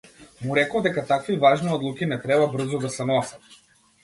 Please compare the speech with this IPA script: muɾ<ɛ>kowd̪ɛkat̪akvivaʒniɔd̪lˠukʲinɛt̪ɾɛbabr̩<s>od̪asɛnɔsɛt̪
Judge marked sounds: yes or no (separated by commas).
yes, no